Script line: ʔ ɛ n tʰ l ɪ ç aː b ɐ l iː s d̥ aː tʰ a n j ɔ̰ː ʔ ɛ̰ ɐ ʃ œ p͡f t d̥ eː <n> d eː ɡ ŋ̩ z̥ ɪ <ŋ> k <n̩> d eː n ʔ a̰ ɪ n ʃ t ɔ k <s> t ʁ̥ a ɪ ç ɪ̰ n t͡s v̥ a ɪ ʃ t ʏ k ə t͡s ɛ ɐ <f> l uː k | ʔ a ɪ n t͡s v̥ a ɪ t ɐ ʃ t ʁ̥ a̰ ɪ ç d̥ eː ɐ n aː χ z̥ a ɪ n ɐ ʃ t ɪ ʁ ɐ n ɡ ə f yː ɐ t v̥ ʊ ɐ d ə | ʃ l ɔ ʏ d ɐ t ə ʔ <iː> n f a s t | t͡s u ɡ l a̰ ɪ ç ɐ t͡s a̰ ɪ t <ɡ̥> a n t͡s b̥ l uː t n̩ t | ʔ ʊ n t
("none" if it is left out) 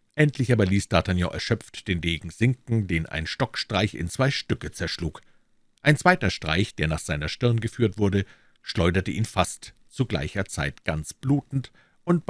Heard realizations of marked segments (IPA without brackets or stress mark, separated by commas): n, ŋ, ŋ̩, ʃ, ʃ, iː, ɡ̥